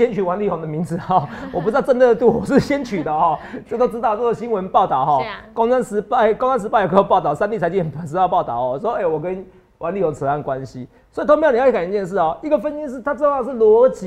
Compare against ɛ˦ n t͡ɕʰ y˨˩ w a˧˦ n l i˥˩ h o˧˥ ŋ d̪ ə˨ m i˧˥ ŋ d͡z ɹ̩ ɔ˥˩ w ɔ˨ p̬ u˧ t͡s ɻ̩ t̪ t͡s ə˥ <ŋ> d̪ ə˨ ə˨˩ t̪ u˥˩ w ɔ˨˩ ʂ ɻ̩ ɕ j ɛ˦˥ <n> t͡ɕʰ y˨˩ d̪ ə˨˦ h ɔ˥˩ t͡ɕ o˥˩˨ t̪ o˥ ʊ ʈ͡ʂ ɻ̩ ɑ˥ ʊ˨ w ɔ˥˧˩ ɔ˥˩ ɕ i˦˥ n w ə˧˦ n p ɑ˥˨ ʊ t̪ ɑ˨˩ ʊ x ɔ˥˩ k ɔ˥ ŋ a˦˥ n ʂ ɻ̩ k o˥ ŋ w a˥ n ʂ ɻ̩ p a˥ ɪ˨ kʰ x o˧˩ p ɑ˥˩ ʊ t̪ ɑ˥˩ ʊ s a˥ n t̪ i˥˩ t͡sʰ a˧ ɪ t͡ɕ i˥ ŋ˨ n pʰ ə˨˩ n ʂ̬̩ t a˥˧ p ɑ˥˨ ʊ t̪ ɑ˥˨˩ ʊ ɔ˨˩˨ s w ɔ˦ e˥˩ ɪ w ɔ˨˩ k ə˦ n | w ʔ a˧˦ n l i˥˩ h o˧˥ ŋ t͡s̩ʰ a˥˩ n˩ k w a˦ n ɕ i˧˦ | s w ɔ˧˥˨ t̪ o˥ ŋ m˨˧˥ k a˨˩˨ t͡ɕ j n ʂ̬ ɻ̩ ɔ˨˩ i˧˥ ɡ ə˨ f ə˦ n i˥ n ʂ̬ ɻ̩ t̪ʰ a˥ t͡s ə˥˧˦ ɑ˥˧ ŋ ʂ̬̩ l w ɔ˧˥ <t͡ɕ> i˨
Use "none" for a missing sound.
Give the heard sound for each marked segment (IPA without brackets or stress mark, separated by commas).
n, n, t͡ɕ